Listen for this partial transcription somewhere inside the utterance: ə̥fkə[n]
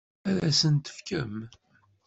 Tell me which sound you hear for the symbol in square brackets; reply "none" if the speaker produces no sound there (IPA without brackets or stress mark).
m